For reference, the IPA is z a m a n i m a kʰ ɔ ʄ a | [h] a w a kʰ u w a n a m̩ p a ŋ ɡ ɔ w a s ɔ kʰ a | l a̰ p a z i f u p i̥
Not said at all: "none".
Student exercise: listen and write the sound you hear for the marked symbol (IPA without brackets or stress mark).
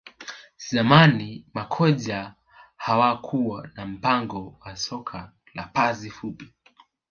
h